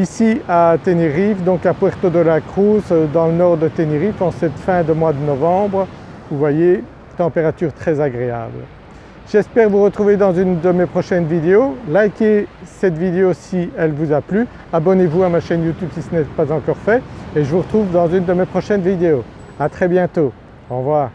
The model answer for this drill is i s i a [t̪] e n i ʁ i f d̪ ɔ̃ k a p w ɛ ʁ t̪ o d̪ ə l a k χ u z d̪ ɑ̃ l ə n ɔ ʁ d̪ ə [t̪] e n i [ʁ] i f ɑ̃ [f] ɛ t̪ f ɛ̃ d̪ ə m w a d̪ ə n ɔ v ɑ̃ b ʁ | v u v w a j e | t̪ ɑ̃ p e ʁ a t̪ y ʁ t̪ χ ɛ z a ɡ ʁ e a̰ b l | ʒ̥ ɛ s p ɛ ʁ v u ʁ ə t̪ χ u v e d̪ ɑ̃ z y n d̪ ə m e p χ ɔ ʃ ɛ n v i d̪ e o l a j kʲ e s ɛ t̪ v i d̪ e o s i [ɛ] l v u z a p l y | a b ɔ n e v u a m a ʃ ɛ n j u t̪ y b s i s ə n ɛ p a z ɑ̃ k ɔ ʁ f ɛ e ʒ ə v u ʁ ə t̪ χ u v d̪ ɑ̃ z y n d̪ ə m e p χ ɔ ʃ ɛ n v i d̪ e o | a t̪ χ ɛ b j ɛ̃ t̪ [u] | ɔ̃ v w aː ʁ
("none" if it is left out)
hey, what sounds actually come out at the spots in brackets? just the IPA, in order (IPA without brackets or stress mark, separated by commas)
t̪, t̪, ʁ, s, ɛ, o